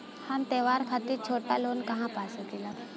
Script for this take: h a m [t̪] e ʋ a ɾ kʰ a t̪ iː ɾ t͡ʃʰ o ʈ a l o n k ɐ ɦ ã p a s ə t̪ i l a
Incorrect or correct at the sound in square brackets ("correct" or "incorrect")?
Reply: correct